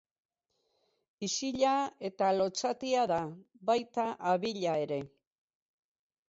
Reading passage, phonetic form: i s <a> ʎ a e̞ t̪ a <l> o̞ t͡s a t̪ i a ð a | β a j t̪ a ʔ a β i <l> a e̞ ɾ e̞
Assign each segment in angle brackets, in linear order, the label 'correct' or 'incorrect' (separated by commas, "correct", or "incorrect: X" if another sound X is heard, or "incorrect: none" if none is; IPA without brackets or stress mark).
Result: incorrect: i, correct, incorrect: ʎ